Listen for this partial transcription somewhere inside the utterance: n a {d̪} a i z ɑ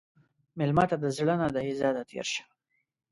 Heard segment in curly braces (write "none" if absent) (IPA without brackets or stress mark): d̪